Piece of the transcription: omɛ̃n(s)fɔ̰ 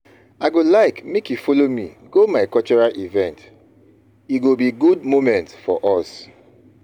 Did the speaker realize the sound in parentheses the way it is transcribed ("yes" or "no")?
no